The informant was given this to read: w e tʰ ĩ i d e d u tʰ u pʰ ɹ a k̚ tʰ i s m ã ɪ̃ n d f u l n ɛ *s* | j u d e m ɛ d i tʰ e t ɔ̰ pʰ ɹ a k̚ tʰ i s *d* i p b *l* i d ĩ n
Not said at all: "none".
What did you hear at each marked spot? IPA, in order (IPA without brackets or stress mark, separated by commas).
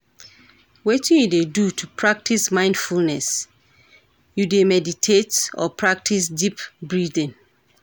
s, d, ɹ